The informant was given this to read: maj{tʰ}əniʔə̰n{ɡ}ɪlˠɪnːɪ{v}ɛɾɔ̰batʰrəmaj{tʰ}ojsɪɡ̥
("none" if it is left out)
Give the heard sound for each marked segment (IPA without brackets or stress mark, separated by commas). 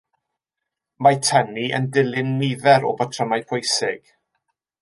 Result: tʰ, d, ð, pʰ